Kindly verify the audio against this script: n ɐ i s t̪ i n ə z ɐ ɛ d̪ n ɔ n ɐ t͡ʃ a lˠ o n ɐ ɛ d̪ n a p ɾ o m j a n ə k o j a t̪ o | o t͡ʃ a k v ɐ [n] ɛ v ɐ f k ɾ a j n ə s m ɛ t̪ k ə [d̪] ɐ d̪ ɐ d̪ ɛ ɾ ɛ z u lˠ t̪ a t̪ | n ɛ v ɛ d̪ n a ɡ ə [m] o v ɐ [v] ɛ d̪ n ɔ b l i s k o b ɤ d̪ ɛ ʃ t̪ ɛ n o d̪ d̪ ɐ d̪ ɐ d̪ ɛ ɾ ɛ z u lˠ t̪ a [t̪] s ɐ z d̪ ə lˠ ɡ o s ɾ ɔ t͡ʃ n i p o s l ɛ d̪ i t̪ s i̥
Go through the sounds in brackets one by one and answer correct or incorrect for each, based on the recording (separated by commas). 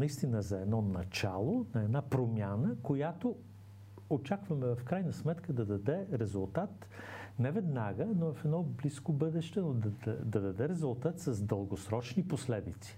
incorrect, correct, incorrect, incorrect, correct